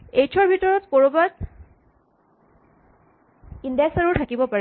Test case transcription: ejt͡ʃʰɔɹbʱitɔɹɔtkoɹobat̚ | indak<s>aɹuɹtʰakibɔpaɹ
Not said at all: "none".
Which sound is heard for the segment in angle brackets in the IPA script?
s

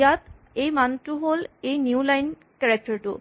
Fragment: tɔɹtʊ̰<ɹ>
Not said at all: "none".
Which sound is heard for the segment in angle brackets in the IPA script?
none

